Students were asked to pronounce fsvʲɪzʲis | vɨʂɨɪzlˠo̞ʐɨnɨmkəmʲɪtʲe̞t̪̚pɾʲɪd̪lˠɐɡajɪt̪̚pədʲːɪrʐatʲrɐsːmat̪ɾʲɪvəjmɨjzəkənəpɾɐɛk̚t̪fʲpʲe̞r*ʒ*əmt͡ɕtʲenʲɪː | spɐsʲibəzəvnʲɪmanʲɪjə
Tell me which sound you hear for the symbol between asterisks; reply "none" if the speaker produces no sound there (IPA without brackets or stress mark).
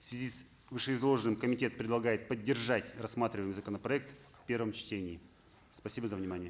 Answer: v